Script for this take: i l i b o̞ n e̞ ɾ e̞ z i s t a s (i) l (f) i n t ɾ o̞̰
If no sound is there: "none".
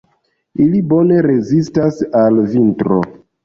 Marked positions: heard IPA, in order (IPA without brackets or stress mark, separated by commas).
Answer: a, v